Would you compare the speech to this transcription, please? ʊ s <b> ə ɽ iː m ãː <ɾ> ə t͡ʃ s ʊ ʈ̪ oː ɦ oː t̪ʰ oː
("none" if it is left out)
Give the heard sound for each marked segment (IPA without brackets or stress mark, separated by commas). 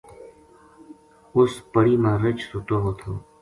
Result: p, ɾ